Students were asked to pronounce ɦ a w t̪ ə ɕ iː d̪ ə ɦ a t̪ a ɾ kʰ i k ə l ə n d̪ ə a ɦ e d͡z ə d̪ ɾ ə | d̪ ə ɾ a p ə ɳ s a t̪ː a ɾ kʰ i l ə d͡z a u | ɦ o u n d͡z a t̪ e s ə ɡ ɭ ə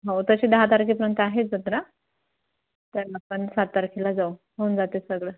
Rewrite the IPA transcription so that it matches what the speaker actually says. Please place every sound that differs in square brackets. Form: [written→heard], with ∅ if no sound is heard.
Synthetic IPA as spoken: ɦ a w t̪ ə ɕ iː d̪ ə ɦ a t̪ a ɾ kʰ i [k→p] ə [l→ɾ] ə n [d̪→t̪] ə a ɦ e d͡z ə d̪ ɾ [ə→a] | [d̪→t̪] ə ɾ a p ə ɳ s a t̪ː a ɾ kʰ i l [ə→a] d͡z a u | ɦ o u n d͡z a t̪ e s ə ɡ ɭ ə